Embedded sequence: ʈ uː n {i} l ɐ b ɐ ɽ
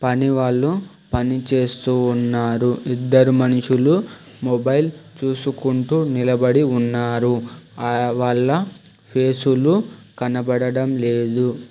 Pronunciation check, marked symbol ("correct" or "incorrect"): correct